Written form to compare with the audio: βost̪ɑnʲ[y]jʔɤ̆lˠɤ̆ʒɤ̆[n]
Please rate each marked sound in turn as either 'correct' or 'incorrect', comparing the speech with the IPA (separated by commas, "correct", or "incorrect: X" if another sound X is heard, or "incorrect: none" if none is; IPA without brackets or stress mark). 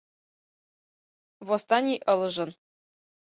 incorrect: i, correct